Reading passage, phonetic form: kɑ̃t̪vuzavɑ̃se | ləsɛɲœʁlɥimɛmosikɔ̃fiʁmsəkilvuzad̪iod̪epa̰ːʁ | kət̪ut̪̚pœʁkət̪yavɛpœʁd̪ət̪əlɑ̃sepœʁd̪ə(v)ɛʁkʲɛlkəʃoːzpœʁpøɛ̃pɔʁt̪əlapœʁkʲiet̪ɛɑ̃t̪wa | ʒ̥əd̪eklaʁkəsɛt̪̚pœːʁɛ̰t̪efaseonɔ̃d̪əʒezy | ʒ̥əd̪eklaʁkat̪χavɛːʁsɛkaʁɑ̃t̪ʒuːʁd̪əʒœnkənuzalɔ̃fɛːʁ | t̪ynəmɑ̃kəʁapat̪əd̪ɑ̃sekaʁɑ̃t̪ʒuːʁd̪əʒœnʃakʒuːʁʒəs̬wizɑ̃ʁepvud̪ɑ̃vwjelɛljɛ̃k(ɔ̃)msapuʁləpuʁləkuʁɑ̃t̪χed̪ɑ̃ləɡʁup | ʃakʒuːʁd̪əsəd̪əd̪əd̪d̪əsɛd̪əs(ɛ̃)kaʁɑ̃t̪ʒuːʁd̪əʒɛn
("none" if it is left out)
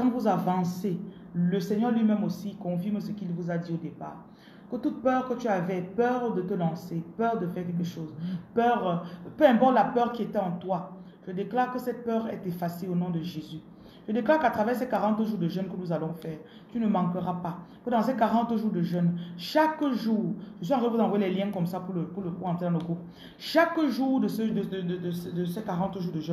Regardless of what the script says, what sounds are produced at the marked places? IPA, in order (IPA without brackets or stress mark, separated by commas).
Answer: f, ɔ, ɛ